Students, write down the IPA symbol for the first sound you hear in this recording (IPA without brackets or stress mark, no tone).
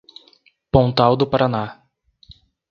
p